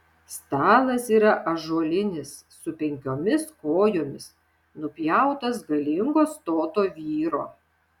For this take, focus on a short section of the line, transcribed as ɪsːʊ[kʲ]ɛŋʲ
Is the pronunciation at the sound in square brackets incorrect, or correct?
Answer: incorrect